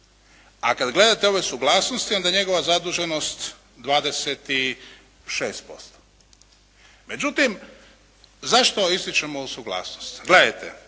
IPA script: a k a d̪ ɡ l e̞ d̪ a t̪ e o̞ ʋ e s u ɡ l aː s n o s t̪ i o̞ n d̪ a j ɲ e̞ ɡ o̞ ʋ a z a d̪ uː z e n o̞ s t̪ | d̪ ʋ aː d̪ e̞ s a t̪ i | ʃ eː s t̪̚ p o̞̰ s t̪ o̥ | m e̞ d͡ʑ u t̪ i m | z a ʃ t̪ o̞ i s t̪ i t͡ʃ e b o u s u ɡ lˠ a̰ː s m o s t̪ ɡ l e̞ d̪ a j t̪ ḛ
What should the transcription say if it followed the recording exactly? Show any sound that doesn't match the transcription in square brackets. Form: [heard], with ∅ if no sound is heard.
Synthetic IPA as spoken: a k a d̪ ɡ l e̞ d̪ a t̪ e o̞ ʋ e s u ɡ l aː s n o s t̪ i o̞ n d̪ a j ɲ e̞ ɡ o̞ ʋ a z a d̪ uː [ʒ] e n o̞ s t̪ | d̪ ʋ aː d̪ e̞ s [e] t̪ i | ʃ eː s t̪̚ p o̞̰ s t̪ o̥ | m e̞ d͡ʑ u t̪ i m | z a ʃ t̪ o̞ i s t̪ i t͡ʃ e [m] o u s u ɡ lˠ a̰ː s [n] o s t̪ ɡ l e̞ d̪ a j t̪ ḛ